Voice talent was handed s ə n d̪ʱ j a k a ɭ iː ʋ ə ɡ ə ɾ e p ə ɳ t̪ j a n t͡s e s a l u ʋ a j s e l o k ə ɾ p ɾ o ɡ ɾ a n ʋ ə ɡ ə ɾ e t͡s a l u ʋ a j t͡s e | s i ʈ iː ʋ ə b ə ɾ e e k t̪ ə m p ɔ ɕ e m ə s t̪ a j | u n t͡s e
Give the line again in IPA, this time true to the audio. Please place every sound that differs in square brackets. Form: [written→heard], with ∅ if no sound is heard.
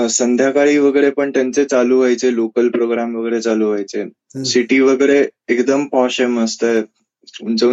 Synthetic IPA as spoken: s ə n d̪ʱ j a k a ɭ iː ʋ ə ɡ ə ɾ e p ə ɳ t̪ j a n t͡s e [s→t͡s] a l u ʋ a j [s→t͡s] e l o k ə [ɾ→l] p ɾ o ɡ ɾ a [n→m] ʋ ə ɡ ə ɾ e t͡s a l u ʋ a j t͡s e | s i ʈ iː ʋ ə [b→ɡ] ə ɾ e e k [t̪→d̪] ə m p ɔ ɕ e m ə s t̪ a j | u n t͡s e